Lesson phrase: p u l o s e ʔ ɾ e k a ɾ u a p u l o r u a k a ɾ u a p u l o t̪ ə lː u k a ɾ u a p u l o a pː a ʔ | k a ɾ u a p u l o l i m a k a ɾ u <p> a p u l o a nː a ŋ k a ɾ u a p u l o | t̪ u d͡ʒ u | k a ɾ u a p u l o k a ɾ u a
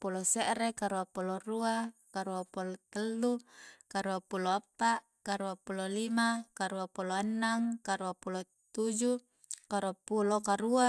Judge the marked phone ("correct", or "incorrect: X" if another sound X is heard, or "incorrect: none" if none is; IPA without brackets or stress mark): incorrect: none